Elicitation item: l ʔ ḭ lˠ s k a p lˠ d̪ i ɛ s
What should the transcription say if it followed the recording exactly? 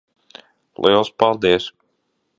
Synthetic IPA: l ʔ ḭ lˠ s p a lˠ d̪ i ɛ s